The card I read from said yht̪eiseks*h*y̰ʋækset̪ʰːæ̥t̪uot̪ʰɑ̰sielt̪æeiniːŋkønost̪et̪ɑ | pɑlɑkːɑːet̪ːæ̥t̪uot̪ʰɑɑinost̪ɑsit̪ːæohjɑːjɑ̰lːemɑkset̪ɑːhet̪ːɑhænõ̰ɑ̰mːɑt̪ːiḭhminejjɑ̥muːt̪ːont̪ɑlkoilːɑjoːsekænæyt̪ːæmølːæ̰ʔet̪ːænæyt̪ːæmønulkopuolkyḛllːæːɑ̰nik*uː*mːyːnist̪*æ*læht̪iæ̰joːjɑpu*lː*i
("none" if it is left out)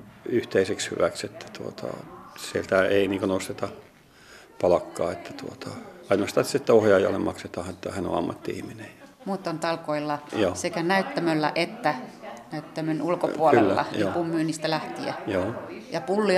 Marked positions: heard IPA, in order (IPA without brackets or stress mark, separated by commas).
h, u, æ, lː